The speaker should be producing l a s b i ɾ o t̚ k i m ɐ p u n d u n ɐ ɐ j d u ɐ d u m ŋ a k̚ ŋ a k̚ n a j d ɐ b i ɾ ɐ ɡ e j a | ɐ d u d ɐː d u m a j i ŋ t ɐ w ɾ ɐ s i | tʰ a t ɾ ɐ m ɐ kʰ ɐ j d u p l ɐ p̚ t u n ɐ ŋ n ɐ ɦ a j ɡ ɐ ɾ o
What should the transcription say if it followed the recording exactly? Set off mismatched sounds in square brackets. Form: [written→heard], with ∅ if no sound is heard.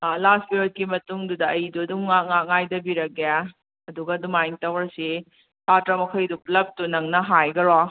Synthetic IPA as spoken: l a s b i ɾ o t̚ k i m ɐ [p→t] u [n→ŋ] d u [n→d] ɐ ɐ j d u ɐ d u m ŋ a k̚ ŋ a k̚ [n→ŋ] a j d ɐ b i ɾ ɐ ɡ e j a | ɐ d u [d→ɡ] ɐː d u m a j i ŋ t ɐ w ɾ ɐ s i | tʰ a t ɾ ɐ m ɐ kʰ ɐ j d u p l ɐ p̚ t u n ɐ ŋ n ɐ ɦ a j ɡ ɐ ɾ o